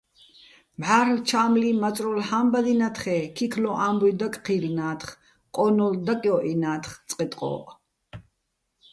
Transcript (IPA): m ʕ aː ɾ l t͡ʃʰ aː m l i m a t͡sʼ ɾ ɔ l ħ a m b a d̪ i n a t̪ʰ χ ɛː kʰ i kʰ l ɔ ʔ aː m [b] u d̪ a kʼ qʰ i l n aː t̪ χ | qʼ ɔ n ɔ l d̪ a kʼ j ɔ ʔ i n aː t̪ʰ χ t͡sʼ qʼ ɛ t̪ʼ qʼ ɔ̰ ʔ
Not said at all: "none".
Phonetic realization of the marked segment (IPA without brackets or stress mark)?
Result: b